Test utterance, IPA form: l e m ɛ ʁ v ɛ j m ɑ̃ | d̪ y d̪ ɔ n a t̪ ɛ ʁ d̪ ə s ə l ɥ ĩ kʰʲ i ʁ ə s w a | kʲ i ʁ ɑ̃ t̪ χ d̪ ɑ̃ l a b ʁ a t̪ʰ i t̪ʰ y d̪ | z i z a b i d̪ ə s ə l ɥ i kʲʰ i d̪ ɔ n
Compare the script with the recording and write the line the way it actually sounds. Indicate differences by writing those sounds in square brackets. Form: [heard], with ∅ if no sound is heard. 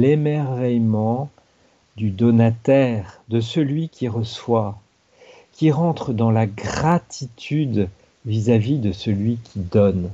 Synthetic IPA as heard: l e m ɛ ʁ v ɛ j m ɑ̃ | d̪ y d̪ ɔ n a t̪ ɛ ʁ d̪ ə s ə l ɥ [i] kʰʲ i ʁ ə s w a | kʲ i ʁ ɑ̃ t̪ χ d̪ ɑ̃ l a [ɡ] ʁ a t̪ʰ i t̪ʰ y d̪ | [v] i z a [v] i d̪ ə s ə l ɥ i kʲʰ i d̪ ɔ n